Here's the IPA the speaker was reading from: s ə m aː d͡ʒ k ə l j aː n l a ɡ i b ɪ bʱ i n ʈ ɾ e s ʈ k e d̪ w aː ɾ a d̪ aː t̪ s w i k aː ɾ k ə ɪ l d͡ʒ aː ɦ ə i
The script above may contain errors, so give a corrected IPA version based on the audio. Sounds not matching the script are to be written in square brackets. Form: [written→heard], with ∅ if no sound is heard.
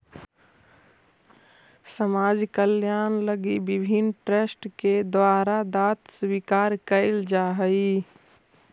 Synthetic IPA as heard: s ə m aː d͡ʒ k ə l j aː n l [a→ə] ɡ i b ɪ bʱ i n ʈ ɾ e s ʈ k e d̪ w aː ɾ a d̪ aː t̪ s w i k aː ɾ k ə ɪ l d͡ʒ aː ɦ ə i